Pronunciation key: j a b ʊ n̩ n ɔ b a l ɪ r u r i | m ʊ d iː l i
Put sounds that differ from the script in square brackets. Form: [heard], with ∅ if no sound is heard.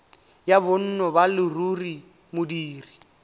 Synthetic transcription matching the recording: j a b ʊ n̩ n ɔ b a l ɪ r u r i | m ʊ d iː [r] i